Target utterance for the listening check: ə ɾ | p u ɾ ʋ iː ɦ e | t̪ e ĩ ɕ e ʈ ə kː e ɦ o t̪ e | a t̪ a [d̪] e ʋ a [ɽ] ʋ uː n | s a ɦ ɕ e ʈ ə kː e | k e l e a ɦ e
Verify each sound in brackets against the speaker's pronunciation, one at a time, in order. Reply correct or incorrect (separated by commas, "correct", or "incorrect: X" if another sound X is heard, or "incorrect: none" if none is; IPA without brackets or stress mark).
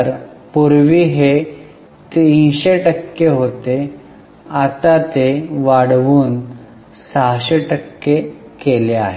incorrect: t̪, correct